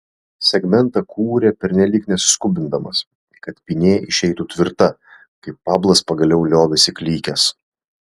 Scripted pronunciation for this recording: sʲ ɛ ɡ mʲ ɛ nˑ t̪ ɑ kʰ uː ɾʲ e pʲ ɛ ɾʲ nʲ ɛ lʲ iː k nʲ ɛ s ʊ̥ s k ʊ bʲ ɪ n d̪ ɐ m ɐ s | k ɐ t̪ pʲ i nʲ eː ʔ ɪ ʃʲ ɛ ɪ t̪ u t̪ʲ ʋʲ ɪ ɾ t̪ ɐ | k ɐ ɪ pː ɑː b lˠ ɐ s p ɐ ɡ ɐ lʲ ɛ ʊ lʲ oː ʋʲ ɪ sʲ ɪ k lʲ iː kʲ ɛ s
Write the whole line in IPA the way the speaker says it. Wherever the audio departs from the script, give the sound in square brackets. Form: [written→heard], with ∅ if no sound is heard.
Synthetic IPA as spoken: sʲ ɛ ɡ mʲ ɛ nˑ t̪ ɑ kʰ uː ɾʲ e pʲ ɛ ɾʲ nʲ ɛ lʲ iː k nʲ ɛ s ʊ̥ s k ʊ bʲ ɪ n d̪ ɐ m ɐ s | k ɐ t̪ pʲ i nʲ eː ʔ ɪ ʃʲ ɛ ɪ t̪ u t̪ʲ ʋʲ ɪ ɾ t̪ ɐ | k ɐ ɪ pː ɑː b lˠ ɐ s p ɐ ɡ ɐ lʲ ɛ ʊ lʲ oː ʋʲ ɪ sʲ ɪ k lʲ iː kʲ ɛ s